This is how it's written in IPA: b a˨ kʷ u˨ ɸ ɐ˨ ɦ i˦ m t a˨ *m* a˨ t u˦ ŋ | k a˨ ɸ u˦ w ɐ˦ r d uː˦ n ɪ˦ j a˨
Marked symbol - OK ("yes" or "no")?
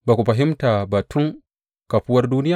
no